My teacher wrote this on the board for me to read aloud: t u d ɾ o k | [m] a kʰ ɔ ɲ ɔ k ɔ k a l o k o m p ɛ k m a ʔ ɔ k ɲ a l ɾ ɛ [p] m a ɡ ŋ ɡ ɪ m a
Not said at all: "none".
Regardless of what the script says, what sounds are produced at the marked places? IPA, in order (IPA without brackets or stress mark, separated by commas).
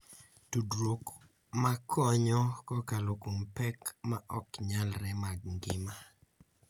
m, none